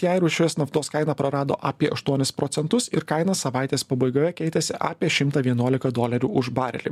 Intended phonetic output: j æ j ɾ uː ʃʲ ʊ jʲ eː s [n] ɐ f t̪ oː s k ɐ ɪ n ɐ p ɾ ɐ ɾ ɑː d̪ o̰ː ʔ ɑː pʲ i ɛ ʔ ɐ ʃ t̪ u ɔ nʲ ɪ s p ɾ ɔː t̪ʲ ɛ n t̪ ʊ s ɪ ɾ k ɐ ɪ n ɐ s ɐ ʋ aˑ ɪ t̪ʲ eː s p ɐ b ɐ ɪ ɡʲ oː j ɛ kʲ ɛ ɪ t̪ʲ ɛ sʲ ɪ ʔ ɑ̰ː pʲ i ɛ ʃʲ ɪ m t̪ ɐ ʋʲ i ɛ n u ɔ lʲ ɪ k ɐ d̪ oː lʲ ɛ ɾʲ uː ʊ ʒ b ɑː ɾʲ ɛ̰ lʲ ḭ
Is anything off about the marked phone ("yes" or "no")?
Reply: no